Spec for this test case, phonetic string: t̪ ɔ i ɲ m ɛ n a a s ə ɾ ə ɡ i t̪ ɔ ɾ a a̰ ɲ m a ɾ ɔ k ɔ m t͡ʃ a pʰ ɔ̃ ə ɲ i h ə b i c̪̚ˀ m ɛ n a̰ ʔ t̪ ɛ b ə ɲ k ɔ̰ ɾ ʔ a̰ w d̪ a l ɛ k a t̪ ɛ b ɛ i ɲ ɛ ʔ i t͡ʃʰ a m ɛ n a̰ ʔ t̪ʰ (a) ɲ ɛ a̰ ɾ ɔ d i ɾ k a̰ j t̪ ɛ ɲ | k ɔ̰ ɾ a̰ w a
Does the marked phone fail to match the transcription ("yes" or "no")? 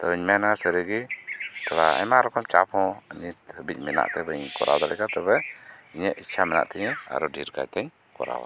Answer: yes